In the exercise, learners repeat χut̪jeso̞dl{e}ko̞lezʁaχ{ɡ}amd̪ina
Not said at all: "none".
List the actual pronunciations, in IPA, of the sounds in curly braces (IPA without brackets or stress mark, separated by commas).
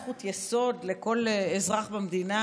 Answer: e, b